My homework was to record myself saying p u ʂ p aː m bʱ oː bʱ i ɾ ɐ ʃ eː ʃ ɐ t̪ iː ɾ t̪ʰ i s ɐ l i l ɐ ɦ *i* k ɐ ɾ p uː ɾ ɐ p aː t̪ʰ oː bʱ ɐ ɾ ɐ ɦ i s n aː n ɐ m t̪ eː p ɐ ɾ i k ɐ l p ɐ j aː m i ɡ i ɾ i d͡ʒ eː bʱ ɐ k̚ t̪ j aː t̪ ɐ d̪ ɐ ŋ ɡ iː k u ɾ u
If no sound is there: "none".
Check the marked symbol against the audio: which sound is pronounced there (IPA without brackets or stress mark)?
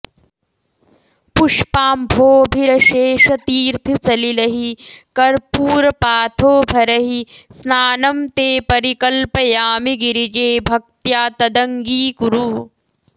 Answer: i